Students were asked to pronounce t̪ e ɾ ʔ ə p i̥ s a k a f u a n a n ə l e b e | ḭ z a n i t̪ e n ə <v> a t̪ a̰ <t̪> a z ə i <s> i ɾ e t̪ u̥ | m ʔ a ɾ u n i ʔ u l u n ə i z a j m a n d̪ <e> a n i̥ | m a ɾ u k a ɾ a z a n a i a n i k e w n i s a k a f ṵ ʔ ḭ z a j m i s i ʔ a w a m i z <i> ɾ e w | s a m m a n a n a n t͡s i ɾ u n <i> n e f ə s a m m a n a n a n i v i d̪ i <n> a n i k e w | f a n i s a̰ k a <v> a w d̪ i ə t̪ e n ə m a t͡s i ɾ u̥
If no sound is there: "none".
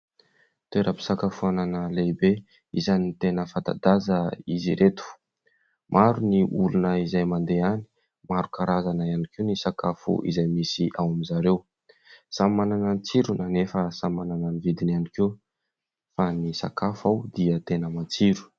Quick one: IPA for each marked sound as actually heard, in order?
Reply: f, d̪, z, e, a, a, n, f

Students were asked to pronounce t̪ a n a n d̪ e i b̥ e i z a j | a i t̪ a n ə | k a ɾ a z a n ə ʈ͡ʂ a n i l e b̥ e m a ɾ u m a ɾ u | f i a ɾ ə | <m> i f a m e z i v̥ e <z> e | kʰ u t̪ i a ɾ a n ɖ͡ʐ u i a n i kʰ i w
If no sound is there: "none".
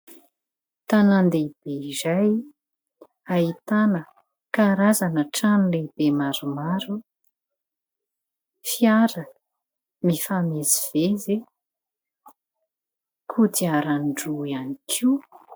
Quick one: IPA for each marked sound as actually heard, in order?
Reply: m, z

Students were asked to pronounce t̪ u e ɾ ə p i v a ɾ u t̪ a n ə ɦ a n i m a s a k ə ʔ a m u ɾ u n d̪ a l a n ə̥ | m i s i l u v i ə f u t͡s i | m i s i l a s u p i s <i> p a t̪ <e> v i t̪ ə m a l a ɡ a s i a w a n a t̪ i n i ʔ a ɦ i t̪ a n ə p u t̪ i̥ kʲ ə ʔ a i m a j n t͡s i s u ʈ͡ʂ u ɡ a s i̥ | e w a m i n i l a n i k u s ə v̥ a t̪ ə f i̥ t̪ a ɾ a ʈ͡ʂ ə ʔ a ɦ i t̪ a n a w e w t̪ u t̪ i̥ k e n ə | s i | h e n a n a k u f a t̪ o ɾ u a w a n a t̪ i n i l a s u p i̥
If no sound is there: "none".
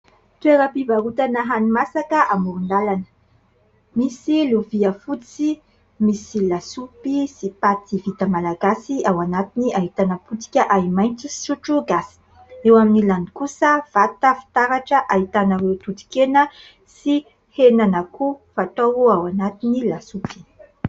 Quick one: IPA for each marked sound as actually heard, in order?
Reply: i, i

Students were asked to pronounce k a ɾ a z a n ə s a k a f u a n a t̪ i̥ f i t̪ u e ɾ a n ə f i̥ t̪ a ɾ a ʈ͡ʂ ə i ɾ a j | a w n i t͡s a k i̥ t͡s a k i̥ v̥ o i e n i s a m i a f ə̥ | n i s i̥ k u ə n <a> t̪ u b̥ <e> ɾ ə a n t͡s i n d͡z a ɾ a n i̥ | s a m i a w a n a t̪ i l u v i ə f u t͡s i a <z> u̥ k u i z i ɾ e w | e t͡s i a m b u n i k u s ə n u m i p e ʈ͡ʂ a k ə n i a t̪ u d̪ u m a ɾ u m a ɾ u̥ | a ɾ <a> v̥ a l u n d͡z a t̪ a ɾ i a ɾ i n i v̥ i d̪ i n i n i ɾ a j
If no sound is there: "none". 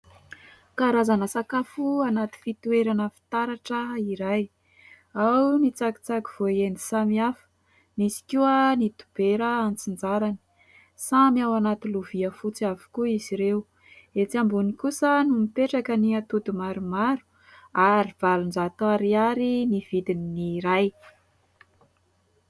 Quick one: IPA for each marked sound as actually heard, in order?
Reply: i, e, v, i

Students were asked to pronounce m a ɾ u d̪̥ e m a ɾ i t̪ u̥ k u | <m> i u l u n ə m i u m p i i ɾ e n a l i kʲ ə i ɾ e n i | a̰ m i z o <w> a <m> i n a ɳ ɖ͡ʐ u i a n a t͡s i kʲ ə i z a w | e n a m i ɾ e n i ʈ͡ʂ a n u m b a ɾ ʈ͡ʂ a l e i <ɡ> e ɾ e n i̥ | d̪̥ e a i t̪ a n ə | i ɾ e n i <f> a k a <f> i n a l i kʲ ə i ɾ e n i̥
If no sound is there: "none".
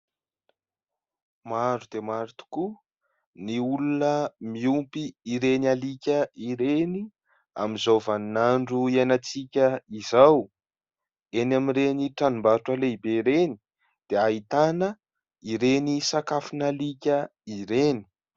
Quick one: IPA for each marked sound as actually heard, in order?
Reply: n, v, n, b, s, f

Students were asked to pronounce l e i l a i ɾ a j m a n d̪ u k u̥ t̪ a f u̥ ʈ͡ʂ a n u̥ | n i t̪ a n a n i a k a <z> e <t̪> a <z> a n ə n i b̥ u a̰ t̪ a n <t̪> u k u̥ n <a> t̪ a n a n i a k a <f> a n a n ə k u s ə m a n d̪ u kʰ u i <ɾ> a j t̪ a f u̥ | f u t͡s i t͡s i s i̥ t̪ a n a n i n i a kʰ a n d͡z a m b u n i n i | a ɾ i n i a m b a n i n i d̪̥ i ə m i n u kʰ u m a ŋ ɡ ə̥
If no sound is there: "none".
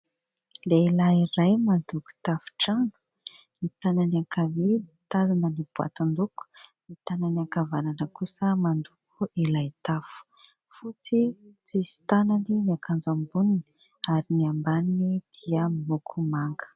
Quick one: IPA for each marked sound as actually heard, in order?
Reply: v, t̪, z, d̪, i, v, l

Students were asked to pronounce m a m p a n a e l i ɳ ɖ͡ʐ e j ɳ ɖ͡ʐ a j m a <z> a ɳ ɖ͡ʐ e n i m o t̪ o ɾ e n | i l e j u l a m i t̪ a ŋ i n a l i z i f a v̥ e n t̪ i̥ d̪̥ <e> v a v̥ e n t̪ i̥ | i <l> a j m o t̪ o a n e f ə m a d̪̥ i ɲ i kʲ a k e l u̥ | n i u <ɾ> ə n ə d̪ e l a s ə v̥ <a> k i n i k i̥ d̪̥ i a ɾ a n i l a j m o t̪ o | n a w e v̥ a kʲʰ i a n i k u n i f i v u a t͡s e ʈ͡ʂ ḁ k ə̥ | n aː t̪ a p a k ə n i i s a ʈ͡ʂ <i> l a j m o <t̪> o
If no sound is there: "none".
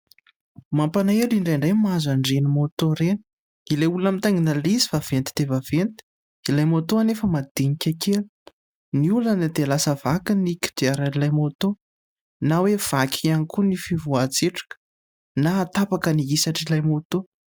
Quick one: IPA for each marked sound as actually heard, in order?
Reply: z, e, l, l, a, i, t̪

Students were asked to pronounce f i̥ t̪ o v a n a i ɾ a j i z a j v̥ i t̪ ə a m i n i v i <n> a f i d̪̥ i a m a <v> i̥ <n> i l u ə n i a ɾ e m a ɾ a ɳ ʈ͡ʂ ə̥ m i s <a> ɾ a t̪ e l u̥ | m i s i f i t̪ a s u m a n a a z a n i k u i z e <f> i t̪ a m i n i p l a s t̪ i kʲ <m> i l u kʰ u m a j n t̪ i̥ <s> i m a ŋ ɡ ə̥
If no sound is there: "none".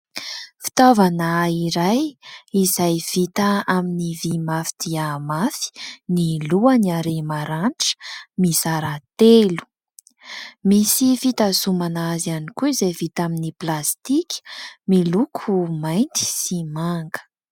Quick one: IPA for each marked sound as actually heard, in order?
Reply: m, f, n, a, v, m, s

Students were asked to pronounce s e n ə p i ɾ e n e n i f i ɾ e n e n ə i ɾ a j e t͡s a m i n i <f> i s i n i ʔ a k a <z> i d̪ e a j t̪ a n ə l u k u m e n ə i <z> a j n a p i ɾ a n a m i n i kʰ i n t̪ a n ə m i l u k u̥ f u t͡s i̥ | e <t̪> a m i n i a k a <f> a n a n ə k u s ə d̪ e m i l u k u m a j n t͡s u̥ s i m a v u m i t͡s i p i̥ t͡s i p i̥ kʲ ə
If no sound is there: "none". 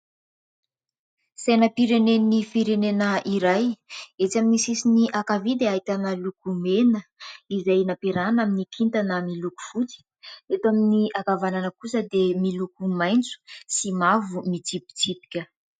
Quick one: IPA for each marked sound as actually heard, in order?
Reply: s, v, z, t̪, v

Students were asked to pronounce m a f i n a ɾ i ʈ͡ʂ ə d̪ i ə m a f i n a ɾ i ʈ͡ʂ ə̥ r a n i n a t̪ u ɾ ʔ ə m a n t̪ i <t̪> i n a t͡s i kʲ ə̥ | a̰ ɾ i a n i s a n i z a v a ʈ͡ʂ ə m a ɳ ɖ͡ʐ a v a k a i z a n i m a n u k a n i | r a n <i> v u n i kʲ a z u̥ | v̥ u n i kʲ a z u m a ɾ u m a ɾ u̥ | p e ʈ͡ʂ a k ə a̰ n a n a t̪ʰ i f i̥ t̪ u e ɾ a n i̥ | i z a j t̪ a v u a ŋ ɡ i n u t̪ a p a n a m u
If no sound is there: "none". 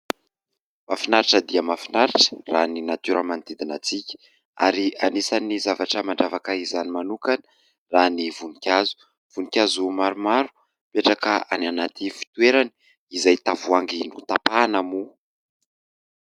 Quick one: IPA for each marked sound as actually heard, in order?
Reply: d̪, i

